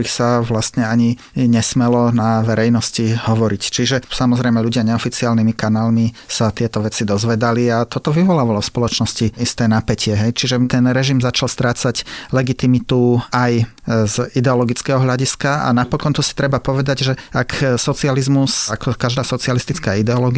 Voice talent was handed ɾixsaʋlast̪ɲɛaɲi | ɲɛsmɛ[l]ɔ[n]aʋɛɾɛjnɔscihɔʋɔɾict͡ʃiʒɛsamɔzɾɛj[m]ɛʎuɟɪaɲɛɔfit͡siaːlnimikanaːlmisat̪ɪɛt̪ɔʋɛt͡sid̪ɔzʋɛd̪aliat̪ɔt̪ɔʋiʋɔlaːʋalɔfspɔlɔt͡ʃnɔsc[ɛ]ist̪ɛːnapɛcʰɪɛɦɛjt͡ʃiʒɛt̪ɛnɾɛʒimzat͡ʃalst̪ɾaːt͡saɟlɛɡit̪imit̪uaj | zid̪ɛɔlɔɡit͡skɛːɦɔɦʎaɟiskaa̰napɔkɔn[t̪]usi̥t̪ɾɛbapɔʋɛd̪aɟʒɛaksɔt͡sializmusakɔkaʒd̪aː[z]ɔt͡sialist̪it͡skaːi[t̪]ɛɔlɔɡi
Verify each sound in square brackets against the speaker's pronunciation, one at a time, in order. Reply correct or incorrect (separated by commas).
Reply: correct, correct, correct, incorrect, correct, incorrect, incorrect